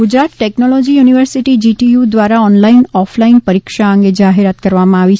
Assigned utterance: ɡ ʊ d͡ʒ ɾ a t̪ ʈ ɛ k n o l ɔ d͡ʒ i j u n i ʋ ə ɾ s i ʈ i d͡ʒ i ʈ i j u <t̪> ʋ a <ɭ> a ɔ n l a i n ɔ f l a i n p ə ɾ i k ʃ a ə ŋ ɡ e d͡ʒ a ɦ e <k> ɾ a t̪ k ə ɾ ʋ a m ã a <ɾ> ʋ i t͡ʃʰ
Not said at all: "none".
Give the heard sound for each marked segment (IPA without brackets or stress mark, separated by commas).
d̪, ɾ, none, none